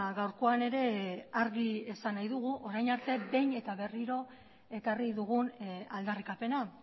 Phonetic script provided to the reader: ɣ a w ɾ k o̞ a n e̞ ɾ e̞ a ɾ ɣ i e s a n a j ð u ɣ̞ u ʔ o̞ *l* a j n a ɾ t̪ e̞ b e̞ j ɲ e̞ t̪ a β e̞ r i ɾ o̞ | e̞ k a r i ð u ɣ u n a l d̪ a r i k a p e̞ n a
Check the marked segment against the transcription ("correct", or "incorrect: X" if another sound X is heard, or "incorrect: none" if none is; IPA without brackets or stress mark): incorrect: ɾ